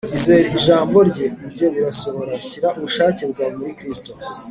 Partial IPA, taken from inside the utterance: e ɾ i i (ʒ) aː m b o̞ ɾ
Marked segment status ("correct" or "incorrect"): correct